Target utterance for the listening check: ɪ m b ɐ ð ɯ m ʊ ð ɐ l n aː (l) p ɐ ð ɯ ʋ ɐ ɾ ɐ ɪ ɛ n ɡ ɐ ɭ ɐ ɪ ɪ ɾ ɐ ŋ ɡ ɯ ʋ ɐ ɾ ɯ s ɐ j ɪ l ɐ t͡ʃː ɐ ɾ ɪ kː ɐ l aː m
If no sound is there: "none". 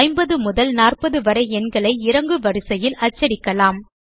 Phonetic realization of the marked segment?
r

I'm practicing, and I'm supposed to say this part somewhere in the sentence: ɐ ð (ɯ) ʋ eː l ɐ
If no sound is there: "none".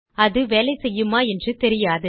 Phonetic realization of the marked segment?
ɯ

